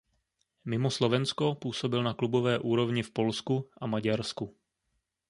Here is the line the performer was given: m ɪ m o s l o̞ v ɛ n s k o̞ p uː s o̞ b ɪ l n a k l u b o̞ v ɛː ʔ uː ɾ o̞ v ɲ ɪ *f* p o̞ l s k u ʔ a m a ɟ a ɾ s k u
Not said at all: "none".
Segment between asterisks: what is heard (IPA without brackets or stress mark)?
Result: f